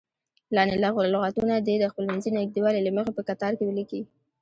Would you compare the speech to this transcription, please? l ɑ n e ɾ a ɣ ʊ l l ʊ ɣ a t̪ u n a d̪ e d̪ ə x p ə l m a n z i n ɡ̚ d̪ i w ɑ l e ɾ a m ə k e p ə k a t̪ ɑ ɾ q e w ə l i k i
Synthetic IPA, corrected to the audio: l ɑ n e l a ɣ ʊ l l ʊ ɣ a t̪ u n a d̪ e d̪ ə x p ə l m a n z i n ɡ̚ d̪ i w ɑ l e l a m ə x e p ə k a t̪ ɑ ɾ k e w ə l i k i